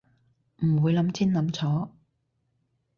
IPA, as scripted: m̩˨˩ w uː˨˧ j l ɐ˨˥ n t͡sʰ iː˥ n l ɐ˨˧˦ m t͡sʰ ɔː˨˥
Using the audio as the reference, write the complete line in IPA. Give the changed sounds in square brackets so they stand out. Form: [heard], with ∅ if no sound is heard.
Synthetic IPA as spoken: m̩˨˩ w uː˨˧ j l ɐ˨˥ [m] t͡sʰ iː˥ n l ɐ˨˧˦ m t͡sʰ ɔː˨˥